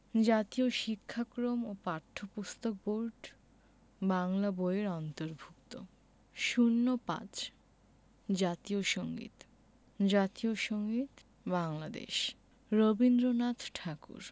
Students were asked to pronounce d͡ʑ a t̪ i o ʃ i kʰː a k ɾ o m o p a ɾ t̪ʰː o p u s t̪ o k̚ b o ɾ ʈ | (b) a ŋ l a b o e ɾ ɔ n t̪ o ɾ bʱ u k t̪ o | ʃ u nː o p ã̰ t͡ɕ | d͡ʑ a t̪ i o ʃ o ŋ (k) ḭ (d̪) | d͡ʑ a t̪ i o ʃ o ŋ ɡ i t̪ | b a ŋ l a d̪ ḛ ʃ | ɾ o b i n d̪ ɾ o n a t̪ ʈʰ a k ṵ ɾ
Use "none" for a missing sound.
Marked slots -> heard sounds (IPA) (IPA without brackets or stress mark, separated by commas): b, ɡ, t̪